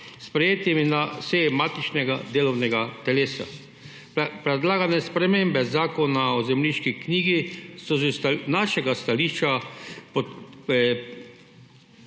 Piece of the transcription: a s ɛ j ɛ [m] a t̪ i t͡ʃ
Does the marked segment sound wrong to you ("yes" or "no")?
no